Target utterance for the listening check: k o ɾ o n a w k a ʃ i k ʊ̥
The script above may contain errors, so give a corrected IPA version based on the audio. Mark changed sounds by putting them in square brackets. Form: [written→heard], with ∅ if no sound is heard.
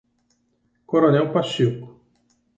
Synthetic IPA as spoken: k o ɾ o n [a→ɛ] w [k→p] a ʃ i k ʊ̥